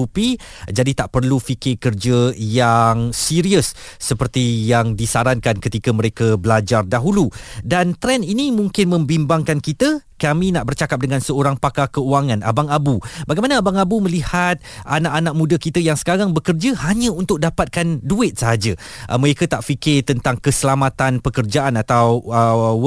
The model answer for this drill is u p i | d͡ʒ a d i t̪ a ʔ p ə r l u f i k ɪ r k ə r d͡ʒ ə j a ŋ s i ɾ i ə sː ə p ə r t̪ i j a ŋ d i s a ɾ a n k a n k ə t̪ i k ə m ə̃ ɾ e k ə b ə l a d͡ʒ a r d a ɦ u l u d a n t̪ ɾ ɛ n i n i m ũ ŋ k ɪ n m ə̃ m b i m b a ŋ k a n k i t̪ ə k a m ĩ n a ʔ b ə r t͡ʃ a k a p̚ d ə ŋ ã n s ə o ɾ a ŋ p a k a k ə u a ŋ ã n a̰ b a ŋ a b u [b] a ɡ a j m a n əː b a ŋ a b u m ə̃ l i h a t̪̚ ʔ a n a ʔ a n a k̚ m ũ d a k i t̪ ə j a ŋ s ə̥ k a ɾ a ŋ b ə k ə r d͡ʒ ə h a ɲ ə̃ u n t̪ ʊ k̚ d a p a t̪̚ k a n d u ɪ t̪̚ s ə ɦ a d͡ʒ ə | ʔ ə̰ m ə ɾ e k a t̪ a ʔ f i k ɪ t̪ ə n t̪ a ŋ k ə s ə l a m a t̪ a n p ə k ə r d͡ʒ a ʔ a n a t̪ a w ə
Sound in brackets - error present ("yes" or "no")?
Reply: no